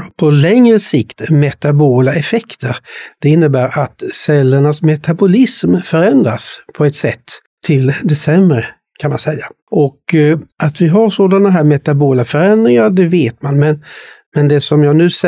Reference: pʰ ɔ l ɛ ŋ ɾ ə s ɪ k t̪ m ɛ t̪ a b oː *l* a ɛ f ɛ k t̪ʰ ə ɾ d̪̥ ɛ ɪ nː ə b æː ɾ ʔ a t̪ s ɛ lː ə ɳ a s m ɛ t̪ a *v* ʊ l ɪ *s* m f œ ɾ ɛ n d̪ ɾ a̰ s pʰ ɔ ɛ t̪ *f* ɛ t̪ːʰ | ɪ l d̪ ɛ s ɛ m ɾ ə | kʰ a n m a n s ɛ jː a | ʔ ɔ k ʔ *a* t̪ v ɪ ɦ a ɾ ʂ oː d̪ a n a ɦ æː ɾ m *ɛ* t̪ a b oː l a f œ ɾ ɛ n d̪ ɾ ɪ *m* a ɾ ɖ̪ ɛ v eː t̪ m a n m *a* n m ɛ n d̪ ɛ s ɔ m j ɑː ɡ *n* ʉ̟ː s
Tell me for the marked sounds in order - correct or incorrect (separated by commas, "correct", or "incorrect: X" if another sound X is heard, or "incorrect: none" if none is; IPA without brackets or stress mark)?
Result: correct, incorrect: b, correct, incorrect: s, correct, correct, incorrect: ŋ, incorrect: ɛ, correct